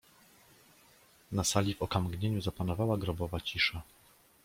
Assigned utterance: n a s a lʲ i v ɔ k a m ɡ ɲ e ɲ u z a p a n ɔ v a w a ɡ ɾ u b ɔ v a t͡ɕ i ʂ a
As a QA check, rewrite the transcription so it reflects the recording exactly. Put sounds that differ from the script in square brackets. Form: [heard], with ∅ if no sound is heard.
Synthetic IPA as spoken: n a s a lʲ i v ɔ k a m ɡ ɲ e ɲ u z a p a n ɔ v a w a ɡ ɾ [ɔ] b ɔ v a t͡ɕ i ʂ a